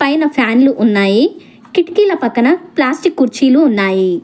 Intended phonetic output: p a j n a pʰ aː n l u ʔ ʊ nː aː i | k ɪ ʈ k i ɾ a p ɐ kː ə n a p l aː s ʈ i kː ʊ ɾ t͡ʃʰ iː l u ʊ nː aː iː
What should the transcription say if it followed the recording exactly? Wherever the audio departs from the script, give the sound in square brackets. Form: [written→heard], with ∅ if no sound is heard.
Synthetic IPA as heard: p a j n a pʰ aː n l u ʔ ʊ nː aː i | k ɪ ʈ k i [ɾ→l] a p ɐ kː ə n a p l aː s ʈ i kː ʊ ɾ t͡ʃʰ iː l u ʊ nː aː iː